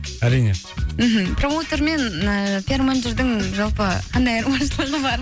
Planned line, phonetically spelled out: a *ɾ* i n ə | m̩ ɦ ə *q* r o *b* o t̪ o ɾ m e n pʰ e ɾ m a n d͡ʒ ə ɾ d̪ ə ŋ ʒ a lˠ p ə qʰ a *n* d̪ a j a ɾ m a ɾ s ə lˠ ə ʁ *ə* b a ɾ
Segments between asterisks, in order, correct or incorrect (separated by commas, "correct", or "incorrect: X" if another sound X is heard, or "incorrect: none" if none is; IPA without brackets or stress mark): correct, incorrect: p, incorrect: m, correct, correct